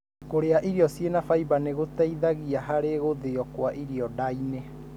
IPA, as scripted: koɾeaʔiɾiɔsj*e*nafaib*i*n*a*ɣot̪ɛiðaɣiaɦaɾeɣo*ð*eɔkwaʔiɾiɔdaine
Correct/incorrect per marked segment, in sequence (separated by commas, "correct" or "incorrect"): correct, incorrect, incorrect, correct